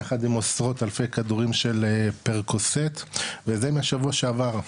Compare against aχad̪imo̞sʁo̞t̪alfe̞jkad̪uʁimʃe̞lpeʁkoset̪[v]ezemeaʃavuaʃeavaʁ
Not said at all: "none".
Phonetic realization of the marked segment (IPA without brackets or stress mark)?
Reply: v